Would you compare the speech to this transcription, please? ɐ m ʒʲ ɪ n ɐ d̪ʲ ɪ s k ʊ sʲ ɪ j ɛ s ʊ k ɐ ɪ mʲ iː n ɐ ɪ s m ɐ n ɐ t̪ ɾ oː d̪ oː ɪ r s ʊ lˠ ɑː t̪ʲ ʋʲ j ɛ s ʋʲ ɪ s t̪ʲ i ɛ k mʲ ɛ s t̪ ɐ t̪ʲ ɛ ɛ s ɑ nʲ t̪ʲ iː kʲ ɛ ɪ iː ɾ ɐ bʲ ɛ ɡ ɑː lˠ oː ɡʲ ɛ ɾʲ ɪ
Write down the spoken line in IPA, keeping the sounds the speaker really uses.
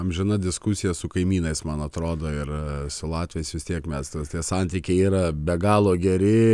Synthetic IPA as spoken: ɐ m ʒʲ ɪ n ɐ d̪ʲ ɪ s k ʊ sʲ ɪ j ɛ s ʊ k ɐ ɪ mʲ iː n ɐ ɪ s m ɐ n ɐ t̪ ɾ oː d̪ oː ɪ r s ʊ lˠ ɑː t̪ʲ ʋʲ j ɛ s ʋʲ ɪ s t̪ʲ i ɛ k mʲ ɛ s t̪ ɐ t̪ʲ i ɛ s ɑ nʲ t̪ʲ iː kʲ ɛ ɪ iː ɾ ɐ bʲ ɛ ɡ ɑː lˠ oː ɡʲ ɛ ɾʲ ɪ